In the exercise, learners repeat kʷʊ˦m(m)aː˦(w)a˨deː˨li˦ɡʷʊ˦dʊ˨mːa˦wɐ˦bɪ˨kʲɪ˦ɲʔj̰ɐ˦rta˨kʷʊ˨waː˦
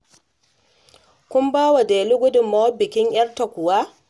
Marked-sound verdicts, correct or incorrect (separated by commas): incorrect, correct